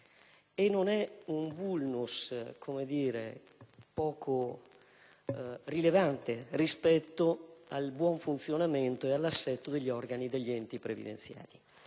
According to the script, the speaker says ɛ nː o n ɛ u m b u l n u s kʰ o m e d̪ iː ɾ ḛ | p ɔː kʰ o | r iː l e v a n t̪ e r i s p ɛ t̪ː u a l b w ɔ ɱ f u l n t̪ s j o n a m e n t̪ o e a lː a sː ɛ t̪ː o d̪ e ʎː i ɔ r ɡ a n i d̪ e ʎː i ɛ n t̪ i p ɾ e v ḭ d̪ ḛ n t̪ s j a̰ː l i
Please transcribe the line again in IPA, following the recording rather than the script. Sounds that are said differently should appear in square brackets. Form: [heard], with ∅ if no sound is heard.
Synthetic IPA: [e] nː o n ɛ u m b u l n u s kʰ o m e d̪ iː ɾ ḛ | p ɔː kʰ o | r [i] l e v a n t̪ e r i s p ɛ t̪ː [o] a l b w ɔ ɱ f u [∅] n t̪ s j o n a m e n t̪ o e a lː a sː ɛ t̪ː o d̪ e ʎː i ɔ r ɡ a n i d̪ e ʎː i ɛ n t̪ i p ɾ e v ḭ d̪ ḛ n t̪ s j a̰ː l i